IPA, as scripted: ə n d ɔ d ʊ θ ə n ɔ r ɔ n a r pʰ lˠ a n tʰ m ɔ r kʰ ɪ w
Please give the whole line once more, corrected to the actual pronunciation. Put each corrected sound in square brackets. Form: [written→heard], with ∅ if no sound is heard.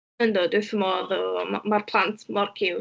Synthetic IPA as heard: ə n d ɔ d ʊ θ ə [n→m] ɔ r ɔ [n→m] a r pʰ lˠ a n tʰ m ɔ r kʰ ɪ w